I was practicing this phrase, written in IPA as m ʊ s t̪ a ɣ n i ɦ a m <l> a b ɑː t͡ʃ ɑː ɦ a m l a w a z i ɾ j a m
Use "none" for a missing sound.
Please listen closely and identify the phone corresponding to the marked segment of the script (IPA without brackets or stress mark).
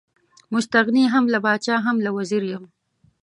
l